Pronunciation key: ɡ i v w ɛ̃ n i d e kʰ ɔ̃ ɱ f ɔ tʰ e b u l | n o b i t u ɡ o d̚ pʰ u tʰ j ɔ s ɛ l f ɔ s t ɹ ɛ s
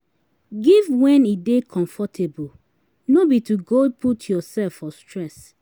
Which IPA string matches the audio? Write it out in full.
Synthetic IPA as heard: ɡ i v w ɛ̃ n i d e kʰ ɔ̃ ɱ f ɔ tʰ e b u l | n o b i t u ɡ o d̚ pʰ u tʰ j ɔ s ɛ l f ɔ s t ɹ ɛ s